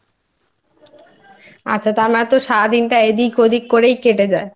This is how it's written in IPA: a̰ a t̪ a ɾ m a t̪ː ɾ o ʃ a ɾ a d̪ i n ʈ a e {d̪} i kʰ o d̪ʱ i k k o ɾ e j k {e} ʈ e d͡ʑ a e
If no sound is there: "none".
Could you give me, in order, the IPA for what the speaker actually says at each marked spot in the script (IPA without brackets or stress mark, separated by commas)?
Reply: d̪, e